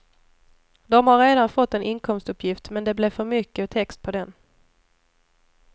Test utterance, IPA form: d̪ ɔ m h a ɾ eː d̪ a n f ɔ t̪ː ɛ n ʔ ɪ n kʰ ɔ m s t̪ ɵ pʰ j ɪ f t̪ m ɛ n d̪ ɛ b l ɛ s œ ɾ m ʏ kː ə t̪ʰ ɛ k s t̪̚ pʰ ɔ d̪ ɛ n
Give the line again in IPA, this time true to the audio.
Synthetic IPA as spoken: d̪ ɔ m h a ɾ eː d̪ a n f ɔ t̪ː ɛ n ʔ ɪ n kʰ ɔ m s t̪ ɵ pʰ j ɪ f t̪ m ɛ n d̪ ɛ b l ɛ f œ ɾ m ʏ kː ə t̪ʰ ɛ k s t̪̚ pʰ ɔ d̪ ɛ n